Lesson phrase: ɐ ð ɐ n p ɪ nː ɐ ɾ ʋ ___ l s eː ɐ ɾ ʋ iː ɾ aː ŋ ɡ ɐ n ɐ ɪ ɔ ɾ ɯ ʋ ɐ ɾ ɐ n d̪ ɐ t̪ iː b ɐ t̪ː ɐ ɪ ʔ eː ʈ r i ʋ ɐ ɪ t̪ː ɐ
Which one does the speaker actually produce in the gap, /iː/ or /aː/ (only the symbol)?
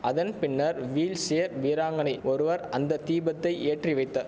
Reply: iː